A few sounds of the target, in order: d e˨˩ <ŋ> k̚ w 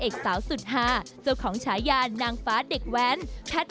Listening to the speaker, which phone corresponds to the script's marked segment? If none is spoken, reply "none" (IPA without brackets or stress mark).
none